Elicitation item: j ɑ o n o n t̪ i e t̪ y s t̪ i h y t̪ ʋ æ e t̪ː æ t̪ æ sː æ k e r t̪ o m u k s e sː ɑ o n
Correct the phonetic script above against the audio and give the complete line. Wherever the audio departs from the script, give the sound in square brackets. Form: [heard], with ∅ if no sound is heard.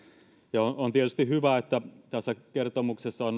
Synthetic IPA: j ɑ o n o n t̪ i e t̪ y s t̪ i h y [∅] ʋ æ e t̪ː æ t̪ æ sː æ k e r t̪ o m u k s e sː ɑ o n